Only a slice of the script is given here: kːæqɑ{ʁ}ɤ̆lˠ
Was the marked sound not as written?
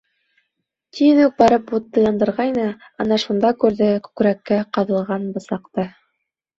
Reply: yes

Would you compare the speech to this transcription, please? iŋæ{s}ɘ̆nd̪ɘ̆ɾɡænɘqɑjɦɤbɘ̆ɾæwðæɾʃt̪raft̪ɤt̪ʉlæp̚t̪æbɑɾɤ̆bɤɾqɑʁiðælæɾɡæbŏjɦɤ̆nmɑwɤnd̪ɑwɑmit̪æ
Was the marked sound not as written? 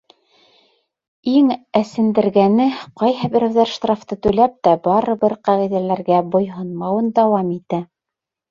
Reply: no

